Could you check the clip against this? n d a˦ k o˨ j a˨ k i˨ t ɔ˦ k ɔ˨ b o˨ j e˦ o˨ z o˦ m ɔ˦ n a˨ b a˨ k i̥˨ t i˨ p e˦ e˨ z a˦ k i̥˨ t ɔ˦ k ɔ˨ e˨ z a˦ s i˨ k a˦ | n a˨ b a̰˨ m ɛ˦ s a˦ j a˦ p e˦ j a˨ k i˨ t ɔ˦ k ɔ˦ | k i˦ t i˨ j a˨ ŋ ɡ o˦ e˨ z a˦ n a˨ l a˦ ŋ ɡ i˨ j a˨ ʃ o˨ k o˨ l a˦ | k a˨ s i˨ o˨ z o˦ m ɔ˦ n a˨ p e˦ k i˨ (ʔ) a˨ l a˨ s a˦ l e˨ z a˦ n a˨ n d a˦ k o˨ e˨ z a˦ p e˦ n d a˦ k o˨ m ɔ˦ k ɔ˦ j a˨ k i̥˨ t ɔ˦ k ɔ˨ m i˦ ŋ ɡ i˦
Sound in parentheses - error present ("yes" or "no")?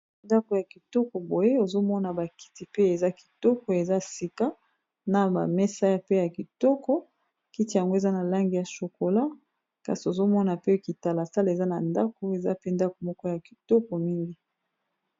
yes